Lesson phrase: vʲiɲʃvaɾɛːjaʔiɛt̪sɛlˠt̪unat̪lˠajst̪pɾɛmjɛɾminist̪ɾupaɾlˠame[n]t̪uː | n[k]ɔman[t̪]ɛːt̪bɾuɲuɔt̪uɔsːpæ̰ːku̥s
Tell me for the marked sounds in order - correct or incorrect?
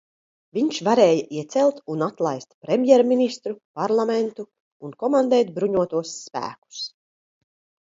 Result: correct, correct, incorrect

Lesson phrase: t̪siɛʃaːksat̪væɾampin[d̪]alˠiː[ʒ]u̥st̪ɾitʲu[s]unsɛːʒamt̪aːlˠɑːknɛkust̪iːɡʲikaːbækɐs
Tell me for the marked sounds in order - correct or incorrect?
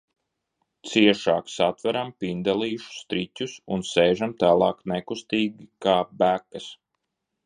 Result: correct, incorrect, correct

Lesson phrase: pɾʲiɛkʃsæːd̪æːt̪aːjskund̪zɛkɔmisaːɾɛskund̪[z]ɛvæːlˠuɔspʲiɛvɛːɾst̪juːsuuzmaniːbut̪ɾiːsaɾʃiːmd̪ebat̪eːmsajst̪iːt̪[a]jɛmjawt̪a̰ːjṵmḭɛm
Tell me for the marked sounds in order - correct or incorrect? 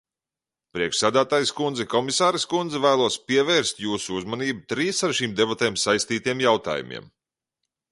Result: correct, incorrect

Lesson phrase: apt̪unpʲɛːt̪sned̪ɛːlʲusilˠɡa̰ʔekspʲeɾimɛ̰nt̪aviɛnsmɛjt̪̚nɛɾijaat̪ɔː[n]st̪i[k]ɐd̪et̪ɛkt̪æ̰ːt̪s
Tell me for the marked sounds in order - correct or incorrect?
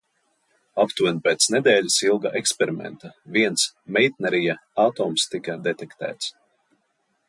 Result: incorrect, correct

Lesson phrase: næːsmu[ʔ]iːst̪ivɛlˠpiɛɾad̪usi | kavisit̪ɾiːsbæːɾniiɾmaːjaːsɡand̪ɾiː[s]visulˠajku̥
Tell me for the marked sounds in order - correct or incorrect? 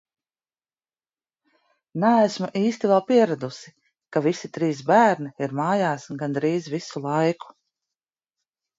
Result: correct, incorrect

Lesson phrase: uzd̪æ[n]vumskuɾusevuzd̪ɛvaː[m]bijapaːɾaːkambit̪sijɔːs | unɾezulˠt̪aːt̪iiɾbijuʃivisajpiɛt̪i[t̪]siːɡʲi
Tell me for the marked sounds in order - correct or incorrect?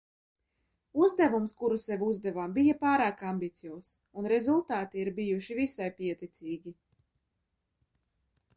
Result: incorrect, correct, correct

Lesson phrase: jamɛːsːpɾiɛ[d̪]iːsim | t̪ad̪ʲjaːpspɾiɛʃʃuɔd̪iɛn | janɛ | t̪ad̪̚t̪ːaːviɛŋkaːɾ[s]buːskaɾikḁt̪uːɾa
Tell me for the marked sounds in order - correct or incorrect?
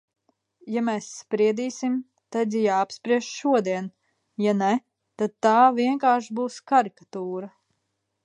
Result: correct, incorrect

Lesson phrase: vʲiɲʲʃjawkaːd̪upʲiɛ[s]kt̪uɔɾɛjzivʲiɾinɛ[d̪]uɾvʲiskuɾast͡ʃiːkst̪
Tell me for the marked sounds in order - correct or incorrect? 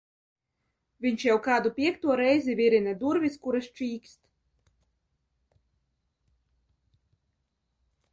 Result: incorrect, correct

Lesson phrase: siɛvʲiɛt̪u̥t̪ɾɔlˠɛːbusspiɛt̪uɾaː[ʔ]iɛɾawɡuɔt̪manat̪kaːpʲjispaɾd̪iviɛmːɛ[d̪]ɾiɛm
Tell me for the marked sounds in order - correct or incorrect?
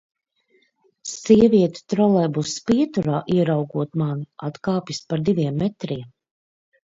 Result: correct, incorrect

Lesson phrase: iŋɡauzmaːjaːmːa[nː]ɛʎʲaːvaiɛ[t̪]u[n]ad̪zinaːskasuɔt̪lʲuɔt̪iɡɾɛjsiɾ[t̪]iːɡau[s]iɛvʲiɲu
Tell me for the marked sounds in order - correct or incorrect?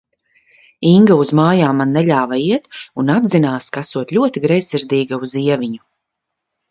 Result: correct, correct, correct, incorrect, incorrect

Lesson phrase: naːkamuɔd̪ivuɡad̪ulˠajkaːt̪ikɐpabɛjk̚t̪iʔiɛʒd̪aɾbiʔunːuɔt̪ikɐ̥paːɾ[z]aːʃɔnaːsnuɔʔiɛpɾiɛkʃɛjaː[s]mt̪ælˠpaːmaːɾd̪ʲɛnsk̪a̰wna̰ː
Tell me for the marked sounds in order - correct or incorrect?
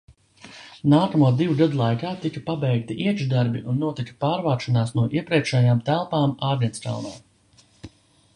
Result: incorrect, incorrect

